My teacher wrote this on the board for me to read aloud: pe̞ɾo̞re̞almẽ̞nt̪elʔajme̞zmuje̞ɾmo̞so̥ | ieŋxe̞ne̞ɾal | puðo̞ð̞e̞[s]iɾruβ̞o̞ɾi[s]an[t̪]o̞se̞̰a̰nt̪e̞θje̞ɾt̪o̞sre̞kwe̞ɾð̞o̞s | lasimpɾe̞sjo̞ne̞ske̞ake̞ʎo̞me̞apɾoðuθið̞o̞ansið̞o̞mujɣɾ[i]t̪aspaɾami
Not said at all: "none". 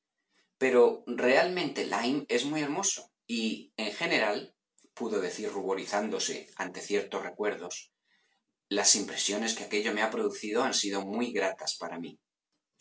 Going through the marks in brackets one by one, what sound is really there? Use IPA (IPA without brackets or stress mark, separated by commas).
θ, θ, d̪, a